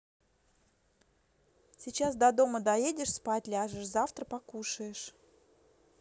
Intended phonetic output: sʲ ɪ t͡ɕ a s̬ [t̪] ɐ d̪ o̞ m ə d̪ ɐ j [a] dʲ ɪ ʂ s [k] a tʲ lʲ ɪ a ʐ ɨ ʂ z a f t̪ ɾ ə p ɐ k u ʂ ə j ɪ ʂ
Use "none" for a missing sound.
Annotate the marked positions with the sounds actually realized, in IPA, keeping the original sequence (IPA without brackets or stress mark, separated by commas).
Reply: d̪, e, p